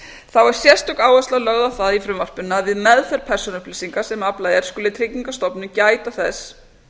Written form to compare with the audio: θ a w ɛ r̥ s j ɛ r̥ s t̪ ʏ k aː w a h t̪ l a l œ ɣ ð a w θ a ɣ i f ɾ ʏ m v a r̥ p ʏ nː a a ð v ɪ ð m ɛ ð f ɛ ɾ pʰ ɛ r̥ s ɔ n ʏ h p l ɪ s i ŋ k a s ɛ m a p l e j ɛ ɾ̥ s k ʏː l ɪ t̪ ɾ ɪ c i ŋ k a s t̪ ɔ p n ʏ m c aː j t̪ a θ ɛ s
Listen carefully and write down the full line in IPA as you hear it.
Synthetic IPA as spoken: θ a w ɛ ɾ̥ s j ɛ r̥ s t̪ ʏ k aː w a s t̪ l a l œ ɣ ð a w θ a ð i f ɾ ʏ m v a r̥ p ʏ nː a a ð v ɪ ð m ɛ ð f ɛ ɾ pʰ ɛ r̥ s ɔ n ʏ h p l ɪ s i ŋ k a s ɛ m a p l a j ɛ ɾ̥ s k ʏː l ɪ t̪ʰ ɾ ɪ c i ŋ k a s t̪ ɔ p n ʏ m c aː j t̪ a θ ɛ s